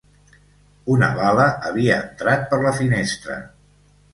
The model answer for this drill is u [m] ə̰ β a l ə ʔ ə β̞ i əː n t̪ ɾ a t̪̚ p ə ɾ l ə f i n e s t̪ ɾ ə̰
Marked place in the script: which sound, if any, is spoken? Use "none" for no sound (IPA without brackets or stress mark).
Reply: n